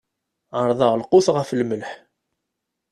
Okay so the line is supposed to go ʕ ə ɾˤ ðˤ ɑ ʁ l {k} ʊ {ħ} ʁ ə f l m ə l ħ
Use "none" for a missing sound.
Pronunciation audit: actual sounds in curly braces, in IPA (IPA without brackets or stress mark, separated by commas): q, θ